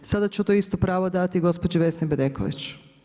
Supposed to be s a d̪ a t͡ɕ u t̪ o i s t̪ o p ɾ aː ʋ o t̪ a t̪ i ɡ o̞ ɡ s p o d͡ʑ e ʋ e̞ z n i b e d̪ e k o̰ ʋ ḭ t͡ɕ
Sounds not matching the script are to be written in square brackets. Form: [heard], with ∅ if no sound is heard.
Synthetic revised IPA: s a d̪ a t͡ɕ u t̪ o i s t̪ o p ɾ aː ʋ o [d̪] a t̪ i ɡ o̞ [∅] s p o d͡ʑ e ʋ e̞ [s] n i b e d̪ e k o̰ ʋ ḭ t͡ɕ

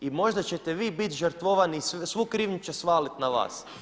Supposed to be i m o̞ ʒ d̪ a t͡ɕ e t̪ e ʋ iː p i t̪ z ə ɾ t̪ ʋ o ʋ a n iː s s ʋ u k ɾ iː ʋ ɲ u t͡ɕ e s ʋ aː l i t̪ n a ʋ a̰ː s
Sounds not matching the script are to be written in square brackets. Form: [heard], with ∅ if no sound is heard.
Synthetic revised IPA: i m o̞ ʒ d̪ a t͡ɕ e t̪ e ʋ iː [b] i t̪ [ʒ] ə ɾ t̪ ʋ o ʋ a n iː s s ʋ u k ɾ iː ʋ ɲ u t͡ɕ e s ʋ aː l i t̪ n a ʋ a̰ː s

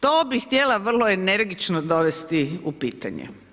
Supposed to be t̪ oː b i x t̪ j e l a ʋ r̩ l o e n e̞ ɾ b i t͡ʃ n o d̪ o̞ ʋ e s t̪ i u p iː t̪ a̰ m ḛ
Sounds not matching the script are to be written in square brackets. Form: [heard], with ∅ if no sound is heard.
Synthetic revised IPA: t̪ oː b i x t̪ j e l a ʋ r̩ l o e n e̞ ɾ [ɡ] i t͡ʃ n o d̪ o̞ ʋ e s t̪ i u p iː t̪ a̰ [ɲ] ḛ

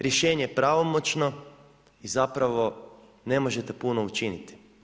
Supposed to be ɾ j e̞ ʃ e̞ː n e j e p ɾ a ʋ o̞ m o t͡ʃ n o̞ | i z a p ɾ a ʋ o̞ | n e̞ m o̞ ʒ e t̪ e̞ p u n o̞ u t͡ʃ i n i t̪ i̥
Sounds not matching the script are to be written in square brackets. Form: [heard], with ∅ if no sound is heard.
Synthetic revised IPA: ɾ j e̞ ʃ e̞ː [ɲ] e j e p ɾ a ʋ o̞ m o t͡ʃ n o̞ | i z a p ɾ a ʋ o̞ | n e̞ m o̞ ʒ e t̪ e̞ p u n o̞ u t͡ʃ i n i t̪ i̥

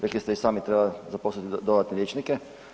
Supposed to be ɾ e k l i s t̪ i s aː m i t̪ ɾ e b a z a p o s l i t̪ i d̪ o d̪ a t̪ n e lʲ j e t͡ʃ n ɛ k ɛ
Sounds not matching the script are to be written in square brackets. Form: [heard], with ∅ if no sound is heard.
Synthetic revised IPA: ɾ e k l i s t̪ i s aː m i t̪ ɾ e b a z a p o s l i t̪ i d̪ o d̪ a t̪ n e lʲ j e t͡ʃ n [i] k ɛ

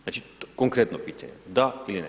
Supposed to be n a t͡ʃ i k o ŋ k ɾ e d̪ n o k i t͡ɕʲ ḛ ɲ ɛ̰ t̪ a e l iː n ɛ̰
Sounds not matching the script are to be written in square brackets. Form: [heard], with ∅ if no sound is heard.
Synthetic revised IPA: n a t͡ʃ i k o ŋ k ɾ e [t̪] n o [p] i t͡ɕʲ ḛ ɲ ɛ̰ [d̪] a [i] l [i] n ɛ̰

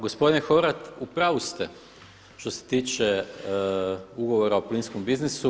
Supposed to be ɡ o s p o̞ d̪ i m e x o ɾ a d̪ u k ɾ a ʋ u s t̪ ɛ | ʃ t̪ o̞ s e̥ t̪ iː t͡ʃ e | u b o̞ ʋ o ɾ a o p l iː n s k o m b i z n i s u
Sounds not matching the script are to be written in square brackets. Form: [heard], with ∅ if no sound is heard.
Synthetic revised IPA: ɡ o s p o̞ d̪ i [n] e x o ɾ a [t̪] u [p] ɾ a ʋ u s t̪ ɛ | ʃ t̪ o̞ s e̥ t̪ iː t͡ʃ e | u [ɡ] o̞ ʋ o ɾ a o p l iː n s k o m b i z n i s u

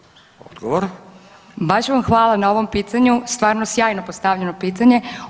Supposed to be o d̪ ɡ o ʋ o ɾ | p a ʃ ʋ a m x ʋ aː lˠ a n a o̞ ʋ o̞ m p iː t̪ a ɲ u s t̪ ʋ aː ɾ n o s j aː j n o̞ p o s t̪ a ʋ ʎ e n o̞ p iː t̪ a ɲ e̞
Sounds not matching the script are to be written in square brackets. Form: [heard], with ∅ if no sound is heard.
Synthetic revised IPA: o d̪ ɡ o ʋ o ɾ | [b] a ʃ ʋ a m x ʋ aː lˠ a n a o̞ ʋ o̞ m p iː t̪ a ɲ u s t̪ ʋ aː ɾ n o s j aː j n o̞ p o s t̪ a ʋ ʎ e n o̞ p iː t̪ a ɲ e̞

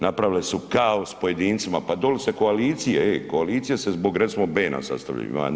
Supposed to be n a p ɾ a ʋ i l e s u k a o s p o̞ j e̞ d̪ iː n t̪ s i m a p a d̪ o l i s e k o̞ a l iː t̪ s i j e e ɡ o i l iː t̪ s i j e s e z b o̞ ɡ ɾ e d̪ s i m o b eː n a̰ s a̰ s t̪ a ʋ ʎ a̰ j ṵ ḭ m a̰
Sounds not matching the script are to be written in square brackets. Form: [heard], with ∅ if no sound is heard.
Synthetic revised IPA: n a p ɾ a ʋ i l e s u k a o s p o̞ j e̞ d̪ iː n t̪ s i m a p a d̪ o l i s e k o̞ a l iː t̪ s i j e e [k] o [a] l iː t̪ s i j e s e z b o̞ ɡ ɾ e [t̪] s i m o b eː n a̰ s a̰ s t̪ a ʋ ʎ a̰ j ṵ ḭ m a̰

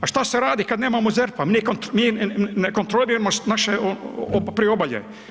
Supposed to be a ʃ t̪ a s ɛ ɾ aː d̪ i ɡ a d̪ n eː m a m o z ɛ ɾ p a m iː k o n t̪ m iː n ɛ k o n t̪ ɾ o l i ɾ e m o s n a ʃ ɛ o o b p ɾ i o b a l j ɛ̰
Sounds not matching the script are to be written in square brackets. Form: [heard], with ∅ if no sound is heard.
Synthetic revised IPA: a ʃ t̪ a s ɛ ɾ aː d̪ i [k] a d̪ n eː m a m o z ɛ ɾ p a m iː k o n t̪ m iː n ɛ k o n t̪ ɾ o l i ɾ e m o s n a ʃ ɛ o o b p ɾ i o b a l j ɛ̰

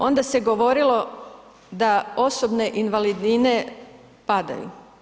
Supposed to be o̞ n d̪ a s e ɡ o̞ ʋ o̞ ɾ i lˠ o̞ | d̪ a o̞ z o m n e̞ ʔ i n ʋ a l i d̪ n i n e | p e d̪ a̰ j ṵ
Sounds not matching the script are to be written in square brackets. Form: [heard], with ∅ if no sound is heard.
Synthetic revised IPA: o̞ n d̪ a s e ɡ o̞ ʋ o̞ ɾ i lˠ o̞ | d̪ a o̞ [s] o [b] n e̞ ʔ i n ʋ a l i d̪ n i n e | p [a] d̪ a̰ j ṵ

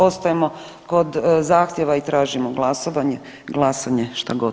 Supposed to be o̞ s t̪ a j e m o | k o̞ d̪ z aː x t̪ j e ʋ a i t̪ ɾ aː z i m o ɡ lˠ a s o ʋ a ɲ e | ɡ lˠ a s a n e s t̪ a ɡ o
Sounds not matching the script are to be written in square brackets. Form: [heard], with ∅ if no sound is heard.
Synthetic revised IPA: o̞ s t̪ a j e m o | k o̞ d̪ z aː x t̪ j e ʋ a i t̪ ɾ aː [ʒ] i m o ɡ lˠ a s o ʋ a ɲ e | ɡ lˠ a s a [ɲ] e [ʃ] t̪ a ɡ o

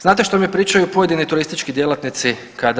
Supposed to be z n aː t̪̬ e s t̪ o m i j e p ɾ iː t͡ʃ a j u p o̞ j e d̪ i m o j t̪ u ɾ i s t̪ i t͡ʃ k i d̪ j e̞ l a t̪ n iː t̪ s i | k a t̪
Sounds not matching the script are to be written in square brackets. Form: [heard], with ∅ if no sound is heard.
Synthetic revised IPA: z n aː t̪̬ e [ʃ] t̪ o m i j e p ɾ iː t͡ʃ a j u p o̞ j e d̪ i [n] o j t̪ u ɾ i s t̪ i t͡ʃ k i d̪ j e̞ l a t̪ n [i] t̪ s i | k a [d̪]

